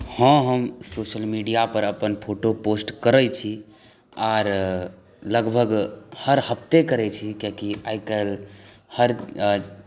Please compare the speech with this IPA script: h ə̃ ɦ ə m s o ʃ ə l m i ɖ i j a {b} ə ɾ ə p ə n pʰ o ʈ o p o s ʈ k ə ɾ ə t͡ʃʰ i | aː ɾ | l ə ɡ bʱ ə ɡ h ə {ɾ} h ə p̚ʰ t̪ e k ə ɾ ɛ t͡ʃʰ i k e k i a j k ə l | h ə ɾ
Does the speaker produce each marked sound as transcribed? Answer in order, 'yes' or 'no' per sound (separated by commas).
no, yes